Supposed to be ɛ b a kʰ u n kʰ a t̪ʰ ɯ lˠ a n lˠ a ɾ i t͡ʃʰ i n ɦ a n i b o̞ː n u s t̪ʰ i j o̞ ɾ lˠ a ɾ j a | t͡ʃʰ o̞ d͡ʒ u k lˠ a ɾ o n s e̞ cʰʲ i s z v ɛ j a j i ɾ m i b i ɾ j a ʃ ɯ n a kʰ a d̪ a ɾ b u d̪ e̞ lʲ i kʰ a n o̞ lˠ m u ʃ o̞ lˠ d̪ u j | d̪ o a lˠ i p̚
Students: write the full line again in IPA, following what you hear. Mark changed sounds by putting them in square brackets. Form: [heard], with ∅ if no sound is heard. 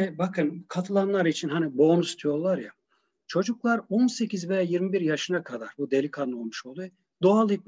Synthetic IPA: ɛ b a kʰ [ɯ] n kʰ a t̪ʰ ɯ lˠ a n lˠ a ɾ i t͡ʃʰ i n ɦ a n i b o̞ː n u s t̪ʰ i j o̞ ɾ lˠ a ɾ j a | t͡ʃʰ o̞ d͡ʒ u k lˠ a ɾ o n s e̞ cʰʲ i [∅] z v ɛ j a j i ɾ m i b i ɾ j a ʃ ɯ n a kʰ a d̪ a ɾ b u d̪ e̞ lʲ i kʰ a n o̞ lˠ m u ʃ o̞ lˠ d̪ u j | d̪ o a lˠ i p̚